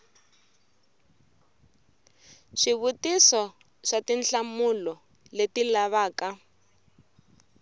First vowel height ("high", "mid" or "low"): high